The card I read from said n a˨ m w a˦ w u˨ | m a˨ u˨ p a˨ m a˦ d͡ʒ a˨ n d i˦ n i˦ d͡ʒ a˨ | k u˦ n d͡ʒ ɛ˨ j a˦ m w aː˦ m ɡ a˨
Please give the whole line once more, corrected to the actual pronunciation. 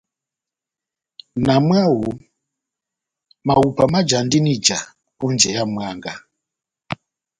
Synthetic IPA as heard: n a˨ m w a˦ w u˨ | m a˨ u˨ p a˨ m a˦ d͡ʒ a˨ n d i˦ n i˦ d͡ʒ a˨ | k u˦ n d͡ʒ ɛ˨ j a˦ m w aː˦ ŋ ɡ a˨